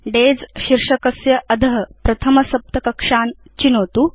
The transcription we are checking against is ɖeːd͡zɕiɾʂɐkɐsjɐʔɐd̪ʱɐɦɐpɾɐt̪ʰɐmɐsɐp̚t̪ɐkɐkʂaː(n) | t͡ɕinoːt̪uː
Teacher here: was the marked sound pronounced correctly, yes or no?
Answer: yes